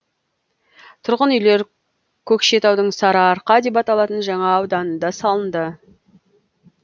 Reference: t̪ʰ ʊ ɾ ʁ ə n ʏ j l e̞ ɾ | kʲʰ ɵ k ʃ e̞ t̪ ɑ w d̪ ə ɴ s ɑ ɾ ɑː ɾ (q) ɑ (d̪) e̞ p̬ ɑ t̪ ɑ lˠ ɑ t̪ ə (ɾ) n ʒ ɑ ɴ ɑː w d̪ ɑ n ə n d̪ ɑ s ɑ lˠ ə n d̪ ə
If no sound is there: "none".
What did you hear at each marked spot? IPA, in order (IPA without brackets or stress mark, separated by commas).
q, d̪, none